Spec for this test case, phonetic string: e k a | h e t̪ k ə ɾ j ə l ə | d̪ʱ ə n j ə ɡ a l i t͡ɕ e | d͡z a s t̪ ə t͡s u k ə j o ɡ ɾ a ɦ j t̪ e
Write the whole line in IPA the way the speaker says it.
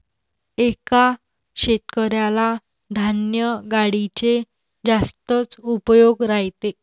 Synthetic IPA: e k a | ɕ e t̪ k ə ɾ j a l a | d̪ʱ a n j ə ɡ a ɽ i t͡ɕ e | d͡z a s t̪ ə t͡s u p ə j o ɡ ɾ a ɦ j t̪ e